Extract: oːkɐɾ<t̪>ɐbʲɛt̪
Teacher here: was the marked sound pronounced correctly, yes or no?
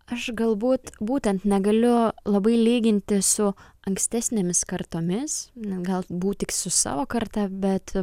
yes